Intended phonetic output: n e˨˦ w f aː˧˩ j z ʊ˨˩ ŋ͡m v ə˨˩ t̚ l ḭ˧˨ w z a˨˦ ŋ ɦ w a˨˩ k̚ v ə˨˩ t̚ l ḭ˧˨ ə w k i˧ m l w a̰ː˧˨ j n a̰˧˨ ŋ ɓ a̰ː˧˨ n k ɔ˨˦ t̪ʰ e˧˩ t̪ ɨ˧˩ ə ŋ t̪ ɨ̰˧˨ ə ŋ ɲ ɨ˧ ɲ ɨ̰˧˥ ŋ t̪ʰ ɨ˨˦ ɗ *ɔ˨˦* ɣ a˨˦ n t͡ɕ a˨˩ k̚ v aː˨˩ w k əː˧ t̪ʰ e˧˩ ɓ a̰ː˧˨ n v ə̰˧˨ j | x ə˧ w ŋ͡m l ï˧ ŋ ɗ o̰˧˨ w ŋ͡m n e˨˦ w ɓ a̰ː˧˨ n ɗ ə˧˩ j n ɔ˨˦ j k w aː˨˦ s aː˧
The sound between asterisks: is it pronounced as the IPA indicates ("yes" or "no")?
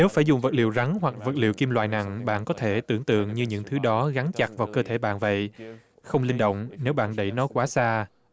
yes